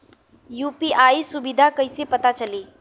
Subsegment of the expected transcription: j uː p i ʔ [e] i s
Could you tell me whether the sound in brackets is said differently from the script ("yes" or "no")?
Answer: yes